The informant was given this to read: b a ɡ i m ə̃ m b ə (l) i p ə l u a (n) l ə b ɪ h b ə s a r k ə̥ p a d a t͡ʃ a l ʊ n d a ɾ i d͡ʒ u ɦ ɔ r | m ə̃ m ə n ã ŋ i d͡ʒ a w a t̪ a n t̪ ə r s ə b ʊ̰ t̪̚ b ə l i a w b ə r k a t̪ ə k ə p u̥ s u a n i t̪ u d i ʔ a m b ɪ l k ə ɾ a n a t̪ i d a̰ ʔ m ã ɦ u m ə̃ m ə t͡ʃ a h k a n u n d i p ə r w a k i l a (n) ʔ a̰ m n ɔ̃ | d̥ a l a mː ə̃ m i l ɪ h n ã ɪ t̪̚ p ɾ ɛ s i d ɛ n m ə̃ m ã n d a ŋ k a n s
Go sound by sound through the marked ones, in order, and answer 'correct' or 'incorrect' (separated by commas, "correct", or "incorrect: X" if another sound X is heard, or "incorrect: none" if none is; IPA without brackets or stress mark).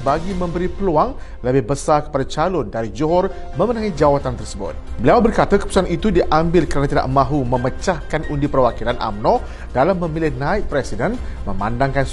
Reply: incorrect: ɾ, incorrect: ŋ, correct